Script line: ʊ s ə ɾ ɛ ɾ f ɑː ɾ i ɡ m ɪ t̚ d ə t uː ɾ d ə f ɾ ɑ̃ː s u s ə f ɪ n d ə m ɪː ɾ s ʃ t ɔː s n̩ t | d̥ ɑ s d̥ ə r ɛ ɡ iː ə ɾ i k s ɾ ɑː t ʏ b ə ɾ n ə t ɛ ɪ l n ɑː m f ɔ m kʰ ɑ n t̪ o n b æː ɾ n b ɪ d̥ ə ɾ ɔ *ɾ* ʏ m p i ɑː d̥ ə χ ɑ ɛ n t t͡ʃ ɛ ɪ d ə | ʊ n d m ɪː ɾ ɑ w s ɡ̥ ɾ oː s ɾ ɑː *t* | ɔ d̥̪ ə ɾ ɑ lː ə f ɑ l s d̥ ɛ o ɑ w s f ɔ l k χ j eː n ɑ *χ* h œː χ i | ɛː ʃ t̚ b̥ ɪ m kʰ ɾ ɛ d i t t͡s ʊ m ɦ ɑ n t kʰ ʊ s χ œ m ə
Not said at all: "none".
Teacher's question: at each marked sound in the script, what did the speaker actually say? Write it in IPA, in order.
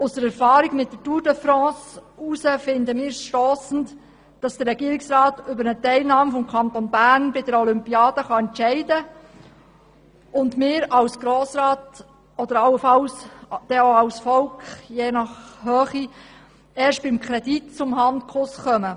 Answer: l, t, χ

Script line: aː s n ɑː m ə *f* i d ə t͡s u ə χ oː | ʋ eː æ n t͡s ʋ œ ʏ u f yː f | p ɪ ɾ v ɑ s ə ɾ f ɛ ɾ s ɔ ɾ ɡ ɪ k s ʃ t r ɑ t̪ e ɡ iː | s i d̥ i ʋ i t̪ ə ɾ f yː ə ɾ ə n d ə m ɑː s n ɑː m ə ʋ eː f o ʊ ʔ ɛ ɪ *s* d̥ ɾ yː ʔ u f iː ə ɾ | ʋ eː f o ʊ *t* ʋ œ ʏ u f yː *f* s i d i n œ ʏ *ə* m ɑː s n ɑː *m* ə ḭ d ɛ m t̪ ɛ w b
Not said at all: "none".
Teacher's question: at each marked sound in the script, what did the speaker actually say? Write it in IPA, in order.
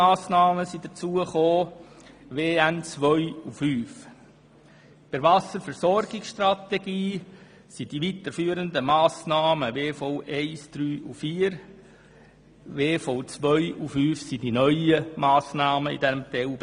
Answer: s, s, t͡s, f, ə, m

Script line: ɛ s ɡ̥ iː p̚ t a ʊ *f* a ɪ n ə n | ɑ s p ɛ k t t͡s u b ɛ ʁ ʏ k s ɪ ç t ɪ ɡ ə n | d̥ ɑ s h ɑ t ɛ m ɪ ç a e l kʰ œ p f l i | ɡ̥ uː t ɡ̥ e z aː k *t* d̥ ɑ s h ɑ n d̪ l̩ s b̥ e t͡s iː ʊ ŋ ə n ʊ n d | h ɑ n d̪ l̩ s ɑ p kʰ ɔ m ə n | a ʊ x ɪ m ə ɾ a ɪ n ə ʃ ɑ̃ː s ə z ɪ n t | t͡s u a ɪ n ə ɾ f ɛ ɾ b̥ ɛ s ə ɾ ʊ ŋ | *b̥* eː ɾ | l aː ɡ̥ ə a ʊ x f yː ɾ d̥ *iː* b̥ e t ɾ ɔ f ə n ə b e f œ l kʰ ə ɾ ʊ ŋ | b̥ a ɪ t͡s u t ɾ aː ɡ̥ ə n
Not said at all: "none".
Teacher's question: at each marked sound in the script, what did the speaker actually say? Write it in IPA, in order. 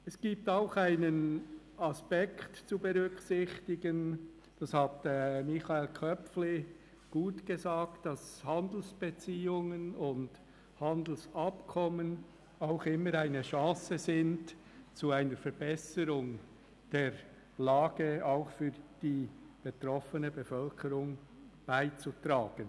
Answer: x, t, d̥, iː

